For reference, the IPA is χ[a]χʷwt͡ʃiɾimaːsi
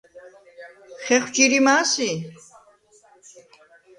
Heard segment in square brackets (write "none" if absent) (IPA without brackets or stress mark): ɛ